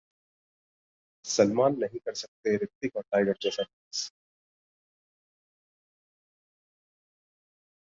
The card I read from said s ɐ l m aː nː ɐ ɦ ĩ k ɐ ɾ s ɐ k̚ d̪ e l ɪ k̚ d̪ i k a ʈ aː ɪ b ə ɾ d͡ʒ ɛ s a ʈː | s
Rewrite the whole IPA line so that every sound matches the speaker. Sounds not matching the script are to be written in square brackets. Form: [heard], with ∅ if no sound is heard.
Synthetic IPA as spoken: s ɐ l m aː nː ɐ ɦ ĩ k ɐ ɾ s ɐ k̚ [t̪] e [ɾ] ɪ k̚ [t̪] i k a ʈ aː ɪ [ɡ] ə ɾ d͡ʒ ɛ s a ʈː | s